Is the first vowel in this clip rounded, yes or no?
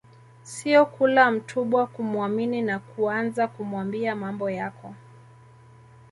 no